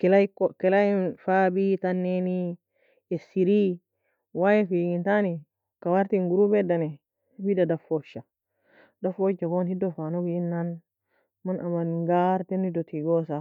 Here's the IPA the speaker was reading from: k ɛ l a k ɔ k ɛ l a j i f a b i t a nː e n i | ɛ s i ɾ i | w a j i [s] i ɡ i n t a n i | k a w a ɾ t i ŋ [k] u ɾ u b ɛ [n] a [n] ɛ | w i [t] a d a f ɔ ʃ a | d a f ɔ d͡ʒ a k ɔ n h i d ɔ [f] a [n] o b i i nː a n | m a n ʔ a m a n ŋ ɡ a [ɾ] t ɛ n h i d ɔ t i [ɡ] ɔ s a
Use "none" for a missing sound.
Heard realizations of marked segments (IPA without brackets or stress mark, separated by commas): f, ɡ, d, n, d, f, n, ɾ, ɡ